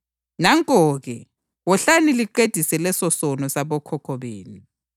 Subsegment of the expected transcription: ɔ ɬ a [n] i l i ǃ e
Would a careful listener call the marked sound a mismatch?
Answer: no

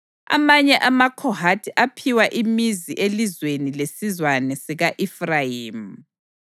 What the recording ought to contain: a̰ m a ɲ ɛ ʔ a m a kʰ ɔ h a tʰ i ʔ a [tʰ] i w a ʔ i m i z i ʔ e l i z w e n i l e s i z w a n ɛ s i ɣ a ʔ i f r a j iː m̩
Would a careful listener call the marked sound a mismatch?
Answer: yes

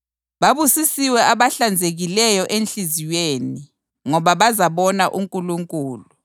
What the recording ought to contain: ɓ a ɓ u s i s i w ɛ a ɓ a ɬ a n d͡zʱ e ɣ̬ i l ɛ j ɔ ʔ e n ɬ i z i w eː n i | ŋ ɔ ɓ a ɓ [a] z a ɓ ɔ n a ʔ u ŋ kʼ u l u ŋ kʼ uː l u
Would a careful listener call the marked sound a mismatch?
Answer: no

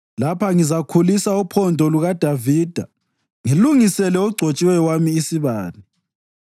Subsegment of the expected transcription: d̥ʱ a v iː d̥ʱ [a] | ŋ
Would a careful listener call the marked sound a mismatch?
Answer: no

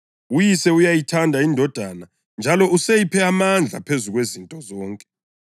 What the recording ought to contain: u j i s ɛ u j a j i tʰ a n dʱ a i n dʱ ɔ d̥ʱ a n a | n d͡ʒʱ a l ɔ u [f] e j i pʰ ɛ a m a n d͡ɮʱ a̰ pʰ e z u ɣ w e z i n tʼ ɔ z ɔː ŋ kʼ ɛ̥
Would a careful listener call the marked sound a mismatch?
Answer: yes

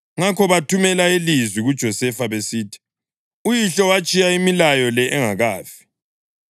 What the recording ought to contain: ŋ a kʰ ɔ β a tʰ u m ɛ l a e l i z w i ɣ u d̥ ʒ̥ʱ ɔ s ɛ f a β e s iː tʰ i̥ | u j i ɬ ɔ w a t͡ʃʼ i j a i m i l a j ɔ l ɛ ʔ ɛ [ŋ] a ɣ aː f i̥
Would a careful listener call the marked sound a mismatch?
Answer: no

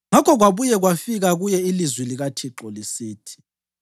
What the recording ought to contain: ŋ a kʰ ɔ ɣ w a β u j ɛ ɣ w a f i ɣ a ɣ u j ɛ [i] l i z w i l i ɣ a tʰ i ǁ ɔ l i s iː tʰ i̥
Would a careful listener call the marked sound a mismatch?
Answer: no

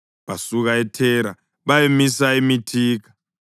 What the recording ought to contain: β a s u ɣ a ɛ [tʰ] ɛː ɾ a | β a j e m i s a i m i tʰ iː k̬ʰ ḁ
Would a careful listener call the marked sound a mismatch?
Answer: no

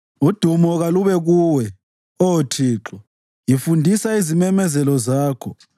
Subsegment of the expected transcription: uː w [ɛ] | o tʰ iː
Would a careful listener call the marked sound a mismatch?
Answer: no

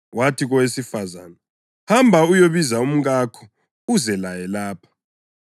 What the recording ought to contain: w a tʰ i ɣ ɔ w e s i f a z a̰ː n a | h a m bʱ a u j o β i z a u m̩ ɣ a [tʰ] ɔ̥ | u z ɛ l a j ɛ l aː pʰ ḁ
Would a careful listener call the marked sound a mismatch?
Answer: yes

